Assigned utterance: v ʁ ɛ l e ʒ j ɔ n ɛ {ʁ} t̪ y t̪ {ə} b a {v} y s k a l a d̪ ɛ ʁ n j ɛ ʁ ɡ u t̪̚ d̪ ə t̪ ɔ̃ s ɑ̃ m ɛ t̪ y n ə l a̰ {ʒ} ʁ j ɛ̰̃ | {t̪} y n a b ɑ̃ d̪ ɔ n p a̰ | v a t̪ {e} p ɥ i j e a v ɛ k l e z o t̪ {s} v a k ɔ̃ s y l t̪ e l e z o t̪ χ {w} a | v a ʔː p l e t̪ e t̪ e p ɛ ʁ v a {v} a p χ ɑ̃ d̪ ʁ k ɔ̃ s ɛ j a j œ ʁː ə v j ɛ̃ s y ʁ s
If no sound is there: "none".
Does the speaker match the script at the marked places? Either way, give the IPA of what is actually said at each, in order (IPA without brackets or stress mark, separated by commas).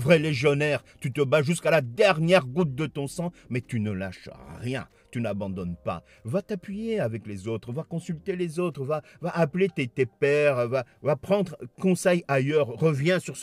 ʁ, ə, ʒ, ʃ, t̪, a, χ, v, v